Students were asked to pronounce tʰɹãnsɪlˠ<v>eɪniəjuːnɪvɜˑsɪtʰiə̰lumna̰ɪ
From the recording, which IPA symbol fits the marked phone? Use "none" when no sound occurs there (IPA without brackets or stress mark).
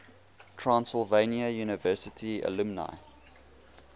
v